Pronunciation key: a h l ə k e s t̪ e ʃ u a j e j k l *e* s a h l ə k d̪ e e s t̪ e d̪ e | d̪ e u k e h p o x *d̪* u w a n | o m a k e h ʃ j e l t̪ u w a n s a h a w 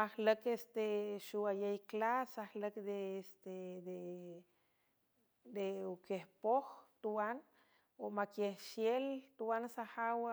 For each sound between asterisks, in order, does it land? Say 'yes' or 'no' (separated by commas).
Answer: no, no